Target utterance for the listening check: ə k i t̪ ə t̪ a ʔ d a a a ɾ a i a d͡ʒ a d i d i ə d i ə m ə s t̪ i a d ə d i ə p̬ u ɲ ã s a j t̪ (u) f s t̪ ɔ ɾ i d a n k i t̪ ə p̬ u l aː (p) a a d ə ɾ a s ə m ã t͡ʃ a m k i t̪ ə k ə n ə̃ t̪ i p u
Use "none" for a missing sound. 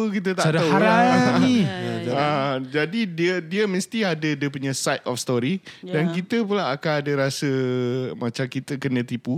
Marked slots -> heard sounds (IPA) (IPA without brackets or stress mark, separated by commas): ɔ, k